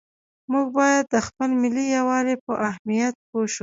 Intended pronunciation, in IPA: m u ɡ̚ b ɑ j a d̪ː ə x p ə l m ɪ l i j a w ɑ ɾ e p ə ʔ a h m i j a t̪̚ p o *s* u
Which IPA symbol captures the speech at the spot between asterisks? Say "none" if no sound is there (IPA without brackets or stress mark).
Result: ʃ